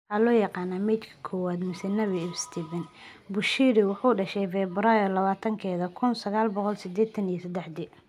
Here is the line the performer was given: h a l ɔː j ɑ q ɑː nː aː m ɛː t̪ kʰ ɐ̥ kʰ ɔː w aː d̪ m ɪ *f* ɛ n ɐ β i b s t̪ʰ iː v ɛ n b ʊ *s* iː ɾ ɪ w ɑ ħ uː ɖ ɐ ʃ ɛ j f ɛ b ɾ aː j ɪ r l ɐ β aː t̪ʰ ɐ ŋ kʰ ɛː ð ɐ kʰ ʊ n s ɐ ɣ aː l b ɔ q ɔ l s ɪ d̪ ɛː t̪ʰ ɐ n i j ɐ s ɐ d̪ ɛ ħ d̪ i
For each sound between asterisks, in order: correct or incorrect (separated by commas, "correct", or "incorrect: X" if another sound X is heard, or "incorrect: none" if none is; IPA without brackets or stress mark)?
incorrect: s, incorrect: ʃ